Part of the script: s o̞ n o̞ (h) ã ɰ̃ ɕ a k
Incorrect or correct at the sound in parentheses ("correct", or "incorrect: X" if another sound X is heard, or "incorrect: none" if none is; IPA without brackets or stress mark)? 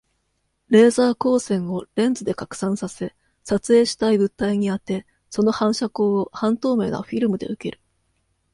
correct